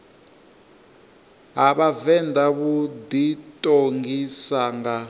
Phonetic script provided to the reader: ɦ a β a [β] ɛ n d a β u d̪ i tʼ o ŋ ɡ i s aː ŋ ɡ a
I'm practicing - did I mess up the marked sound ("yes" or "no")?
yes